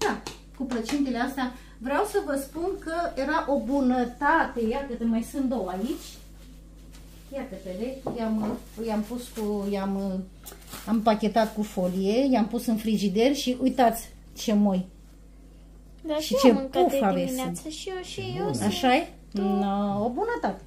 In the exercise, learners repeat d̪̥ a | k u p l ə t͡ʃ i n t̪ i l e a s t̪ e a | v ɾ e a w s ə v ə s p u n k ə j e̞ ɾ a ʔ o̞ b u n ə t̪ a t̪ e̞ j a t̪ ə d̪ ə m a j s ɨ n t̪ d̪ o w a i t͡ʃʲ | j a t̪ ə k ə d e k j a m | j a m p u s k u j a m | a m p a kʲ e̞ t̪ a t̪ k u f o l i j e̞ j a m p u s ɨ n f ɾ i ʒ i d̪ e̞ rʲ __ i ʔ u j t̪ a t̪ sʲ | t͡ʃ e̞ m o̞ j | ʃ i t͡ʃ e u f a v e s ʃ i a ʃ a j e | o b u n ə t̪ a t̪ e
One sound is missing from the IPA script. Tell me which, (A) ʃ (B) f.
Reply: A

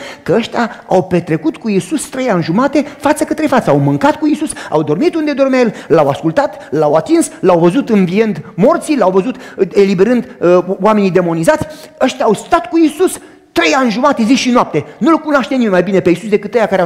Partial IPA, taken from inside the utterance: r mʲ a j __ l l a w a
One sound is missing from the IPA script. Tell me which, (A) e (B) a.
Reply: A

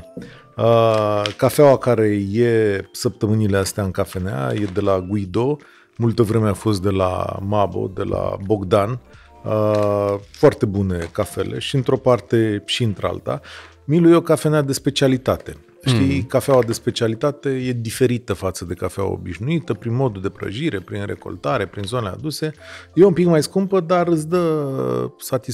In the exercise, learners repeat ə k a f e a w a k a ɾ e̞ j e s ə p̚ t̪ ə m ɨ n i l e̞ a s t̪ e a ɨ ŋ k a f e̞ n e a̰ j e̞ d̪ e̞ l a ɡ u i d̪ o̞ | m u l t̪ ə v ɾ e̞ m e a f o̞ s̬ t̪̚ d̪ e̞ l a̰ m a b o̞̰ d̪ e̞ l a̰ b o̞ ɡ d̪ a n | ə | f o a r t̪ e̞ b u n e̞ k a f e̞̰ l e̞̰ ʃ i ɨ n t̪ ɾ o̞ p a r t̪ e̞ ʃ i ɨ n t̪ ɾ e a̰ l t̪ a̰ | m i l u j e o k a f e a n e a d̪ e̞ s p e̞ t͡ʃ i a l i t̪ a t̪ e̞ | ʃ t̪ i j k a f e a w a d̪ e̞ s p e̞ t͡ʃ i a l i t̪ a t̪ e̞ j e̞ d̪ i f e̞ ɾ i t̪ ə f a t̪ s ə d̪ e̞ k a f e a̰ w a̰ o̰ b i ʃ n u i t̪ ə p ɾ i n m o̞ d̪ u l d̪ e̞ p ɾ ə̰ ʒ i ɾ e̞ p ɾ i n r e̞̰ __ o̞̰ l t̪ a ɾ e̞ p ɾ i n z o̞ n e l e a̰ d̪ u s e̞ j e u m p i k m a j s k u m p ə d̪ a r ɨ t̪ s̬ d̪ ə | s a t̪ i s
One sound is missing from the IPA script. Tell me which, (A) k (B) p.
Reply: A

